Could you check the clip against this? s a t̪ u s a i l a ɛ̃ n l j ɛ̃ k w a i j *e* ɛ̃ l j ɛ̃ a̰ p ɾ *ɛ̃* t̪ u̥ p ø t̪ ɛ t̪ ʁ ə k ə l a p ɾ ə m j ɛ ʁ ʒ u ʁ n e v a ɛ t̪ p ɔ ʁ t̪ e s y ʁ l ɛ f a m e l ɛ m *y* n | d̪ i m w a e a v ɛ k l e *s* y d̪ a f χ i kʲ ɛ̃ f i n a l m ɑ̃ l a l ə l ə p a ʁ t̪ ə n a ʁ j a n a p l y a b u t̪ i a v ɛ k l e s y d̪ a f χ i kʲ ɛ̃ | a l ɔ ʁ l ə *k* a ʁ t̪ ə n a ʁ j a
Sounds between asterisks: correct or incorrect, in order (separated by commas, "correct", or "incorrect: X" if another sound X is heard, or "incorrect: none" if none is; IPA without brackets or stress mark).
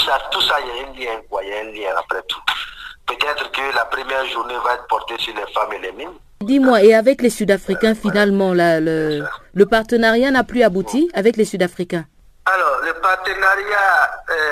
incorrect: a, incorrect: ɛ, incorrect: i, correct, incorrect: p